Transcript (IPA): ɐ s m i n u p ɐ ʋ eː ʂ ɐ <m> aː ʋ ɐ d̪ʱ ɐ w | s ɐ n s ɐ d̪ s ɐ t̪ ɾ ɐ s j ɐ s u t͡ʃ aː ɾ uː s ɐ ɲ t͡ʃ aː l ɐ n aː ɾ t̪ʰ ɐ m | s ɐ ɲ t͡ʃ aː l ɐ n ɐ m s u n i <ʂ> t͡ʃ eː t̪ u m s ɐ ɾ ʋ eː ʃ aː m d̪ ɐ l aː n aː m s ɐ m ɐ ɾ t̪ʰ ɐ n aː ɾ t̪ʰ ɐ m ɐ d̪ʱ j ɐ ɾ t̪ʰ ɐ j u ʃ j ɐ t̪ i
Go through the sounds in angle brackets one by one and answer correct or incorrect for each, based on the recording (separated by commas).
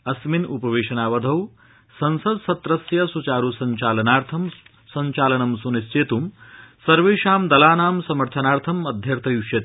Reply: incorrect, incorrect